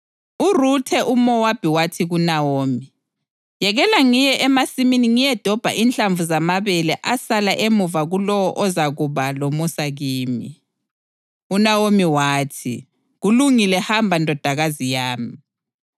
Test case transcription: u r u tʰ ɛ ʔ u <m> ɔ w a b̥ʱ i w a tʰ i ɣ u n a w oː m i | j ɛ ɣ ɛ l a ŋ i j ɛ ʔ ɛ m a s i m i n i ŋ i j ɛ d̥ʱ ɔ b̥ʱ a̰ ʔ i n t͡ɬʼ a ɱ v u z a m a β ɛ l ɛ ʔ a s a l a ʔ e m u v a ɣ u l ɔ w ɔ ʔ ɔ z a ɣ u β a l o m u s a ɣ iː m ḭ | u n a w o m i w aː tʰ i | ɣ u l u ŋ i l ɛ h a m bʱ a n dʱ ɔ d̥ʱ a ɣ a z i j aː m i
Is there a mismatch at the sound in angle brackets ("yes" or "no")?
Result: no